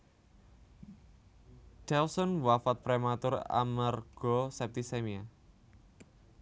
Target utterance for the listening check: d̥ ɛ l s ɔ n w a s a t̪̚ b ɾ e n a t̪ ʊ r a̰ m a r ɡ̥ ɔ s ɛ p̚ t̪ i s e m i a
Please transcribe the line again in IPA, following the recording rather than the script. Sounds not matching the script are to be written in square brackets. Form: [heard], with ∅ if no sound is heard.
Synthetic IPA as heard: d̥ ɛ l s ɔ n w a [f] a t̪̚ [p] ɾ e [m] a t̪ ʊ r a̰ m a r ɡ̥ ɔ s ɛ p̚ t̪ i s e m i a

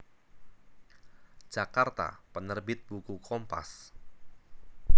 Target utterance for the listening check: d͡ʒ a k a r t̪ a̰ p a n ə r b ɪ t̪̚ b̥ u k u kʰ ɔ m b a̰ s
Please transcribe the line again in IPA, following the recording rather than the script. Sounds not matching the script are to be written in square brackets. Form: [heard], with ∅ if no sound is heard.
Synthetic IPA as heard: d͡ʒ a k a r t̪ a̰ p [ə] n ə r b ɪ t̪̚ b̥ u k u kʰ ɔ m [p] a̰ s

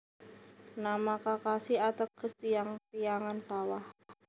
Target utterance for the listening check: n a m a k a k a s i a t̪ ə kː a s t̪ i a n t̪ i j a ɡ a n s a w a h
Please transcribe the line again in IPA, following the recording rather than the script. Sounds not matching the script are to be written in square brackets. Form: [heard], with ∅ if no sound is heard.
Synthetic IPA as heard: n a m a k a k a s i a t̪ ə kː [ə] s t̪ i a [ŋ] t̪ i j a [ŋ] a n s a w a h

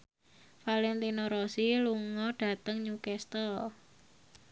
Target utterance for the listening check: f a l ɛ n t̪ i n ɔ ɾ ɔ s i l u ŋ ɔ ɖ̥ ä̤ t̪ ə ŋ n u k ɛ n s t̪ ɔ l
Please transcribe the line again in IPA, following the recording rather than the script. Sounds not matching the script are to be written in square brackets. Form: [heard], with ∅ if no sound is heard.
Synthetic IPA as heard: f a l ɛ n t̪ i n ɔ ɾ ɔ s i l u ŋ ɔ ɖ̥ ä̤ t̪ ə ŋ [ɲ] u k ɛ [∅] s t̪ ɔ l

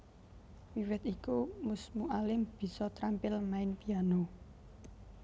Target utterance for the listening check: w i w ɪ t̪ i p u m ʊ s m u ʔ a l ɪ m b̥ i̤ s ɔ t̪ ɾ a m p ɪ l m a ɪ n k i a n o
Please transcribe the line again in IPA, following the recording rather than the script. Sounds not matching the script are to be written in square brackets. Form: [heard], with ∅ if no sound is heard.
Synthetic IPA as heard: w i w ɪ t̪ i [k] u m ʊ s m u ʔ a l ɪ m b̥ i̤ s ɔ t̪ ɾ a m p ɪ l m a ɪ n [p] i a n o

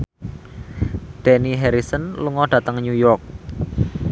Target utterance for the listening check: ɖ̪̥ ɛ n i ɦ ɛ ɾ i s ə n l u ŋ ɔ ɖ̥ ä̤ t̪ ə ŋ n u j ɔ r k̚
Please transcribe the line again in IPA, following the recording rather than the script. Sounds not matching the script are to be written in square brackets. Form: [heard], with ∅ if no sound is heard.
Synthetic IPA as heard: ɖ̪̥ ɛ n i ɦ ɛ ɾ i s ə n l u ŋ ɔ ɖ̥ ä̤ t̪ ə ŋ [ɲ] u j ɔ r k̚

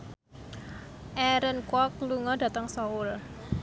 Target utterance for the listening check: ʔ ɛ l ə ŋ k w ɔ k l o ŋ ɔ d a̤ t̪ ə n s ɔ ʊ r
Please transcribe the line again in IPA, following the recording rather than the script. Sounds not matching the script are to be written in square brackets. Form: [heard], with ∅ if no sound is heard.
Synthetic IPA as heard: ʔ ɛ [ɾ] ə [n] k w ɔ k l [u] ŋ ɔ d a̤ t̪ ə [ŋ] s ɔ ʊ [l]

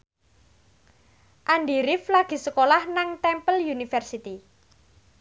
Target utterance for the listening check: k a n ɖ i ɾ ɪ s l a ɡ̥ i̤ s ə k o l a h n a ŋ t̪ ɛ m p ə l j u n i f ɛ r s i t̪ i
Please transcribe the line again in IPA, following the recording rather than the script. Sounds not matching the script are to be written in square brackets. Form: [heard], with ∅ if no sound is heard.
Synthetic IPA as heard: [ʔ] a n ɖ i ɾ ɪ [f] l a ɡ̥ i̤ s ə k o l a h n a ŋ t̪ ɛ m p ə l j u n i f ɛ r s i t̪ i

